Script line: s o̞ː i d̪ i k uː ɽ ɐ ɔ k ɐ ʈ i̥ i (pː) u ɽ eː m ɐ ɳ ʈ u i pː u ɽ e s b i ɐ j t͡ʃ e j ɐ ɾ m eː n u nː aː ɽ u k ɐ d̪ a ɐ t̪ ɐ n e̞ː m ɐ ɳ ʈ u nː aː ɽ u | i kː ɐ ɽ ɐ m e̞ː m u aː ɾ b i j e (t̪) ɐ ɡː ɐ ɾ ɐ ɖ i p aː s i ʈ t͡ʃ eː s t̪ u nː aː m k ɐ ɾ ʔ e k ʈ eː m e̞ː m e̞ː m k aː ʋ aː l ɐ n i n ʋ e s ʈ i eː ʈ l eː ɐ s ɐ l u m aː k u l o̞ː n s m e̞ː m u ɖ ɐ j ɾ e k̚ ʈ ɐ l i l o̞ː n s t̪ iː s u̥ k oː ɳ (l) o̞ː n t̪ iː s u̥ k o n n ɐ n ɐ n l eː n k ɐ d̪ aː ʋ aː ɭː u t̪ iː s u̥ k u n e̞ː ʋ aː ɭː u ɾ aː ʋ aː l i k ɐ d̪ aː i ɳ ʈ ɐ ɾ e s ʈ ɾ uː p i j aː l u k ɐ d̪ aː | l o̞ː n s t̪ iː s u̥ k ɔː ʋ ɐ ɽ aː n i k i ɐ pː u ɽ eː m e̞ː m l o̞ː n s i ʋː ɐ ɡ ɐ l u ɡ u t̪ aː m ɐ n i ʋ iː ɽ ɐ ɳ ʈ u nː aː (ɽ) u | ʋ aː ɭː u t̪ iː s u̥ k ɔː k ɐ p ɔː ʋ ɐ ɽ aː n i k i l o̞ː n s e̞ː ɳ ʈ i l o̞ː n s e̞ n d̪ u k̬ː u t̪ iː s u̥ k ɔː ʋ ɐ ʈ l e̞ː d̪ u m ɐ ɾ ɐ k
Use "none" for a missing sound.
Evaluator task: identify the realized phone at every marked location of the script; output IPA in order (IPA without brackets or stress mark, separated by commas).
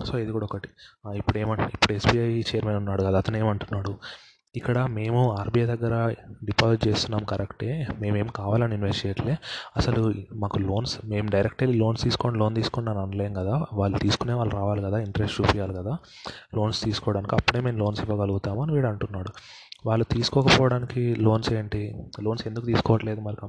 pː, d̪, l, ɽ